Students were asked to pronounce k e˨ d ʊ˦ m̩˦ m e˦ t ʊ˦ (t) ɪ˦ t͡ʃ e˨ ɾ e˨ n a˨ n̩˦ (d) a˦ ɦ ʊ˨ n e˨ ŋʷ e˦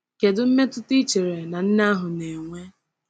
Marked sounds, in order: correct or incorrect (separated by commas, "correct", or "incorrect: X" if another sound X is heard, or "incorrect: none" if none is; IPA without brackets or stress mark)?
correct, incorrect: n